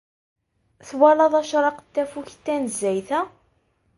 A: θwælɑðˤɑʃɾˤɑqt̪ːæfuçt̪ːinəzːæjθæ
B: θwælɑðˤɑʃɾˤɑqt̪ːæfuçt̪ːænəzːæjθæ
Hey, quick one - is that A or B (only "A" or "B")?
B